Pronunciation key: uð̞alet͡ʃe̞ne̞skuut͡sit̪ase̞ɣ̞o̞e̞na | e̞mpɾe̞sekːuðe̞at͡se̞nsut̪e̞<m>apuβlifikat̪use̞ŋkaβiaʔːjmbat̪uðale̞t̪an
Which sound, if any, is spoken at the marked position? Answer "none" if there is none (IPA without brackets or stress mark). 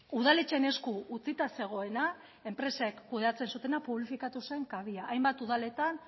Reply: n